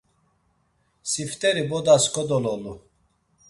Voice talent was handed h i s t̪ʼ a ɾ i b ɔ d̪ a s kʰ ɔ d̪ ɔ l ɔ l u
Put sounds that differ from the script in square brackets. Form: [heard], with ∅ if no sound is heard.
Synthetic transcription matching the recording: [s] i [f] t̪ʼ [ɛ] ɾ i b ɔ d̪ a s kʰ ɔ d̪ ɔ l ɔ l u